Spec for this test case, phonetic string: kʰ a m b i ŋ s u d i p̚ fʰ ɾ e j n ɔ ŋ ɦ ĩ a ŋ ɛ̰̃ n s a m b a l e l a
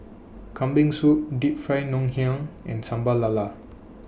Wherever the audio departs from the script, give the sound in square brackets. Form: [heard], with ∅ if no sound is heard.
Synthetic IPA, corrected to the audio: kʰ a m b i ŋ s u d i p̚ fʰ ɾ [a] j n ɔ ŋ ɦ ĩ a ŋ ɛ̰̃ n s a m b a l [a] l a